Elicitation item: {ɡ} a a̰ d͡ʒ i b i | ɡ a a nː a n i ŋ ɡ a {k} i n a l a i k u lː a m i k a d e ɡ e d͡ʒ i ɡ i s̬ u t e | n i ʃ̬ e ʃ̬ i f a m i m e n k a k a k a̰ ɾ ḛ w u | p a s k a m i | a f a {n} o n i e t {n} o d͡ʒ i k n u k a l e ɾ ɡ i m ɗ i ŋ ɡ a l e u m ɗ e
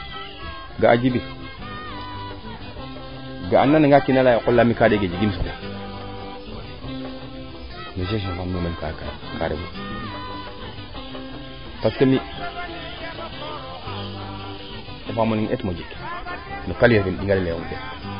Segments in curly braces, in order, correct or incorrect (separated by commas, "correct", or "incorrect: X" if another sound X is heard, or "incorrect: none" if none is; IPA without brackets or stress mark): correct, correct, incorrect: m, incorrect: m